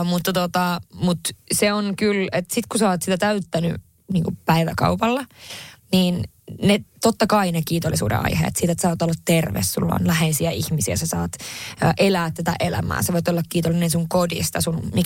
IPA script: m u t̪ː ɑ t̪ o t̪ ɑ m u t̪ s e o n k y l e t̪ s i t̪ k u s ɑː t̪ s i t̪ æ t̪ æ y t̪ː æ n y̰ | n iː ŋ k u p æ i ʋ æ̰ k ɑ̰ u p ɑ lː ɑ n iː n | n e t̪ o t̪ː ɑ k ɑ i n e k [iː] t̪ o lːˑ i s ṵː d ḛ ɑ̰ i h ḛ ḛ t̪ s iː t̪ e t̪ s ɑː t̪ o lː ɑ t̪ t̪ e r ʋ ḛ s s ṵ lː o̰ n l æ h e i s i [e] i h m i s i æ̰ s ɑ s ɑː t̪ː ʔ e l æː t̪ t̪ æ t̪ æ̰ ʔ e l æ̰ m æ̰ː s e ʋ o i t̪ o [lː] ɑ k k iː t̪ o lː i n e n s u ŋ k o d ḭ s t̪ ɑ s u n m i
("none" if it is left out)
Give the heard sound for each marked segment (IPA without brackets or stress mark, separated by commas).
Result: iː, æ, lː